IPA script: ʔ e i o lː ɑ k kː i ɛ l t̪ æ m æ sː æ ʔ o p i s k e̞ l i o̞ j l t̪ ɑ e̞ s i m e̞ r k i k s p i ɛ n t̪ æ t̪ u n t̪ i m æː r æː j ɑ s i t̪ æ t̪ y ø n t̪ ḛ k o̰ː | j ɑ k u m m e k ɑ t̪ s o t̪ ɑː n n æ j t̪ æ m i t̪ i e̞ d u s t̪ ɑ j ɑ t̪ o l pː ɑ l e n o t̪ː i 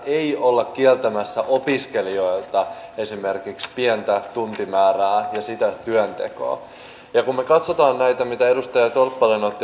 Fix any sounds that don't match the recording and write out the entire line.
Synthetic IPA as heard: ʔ e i o lː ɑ k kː i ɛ l t̪ æ m æ sː æ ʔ o p i s k e̞ l i o̞ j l t̪ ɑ e̞ s i m e̞ r k i k s p i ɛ n t̪ æ t̪ u n t̪ i m æː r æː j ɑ s i t̪ æ t̪ y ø n t̪ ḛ k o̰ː | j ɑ k u m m e k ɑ t̪ s o t̪ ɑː n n æ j t̪ æ m i t̪ æ e̞ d u s t̪ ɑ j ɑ t̪ o l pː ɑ l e n o t̪ː i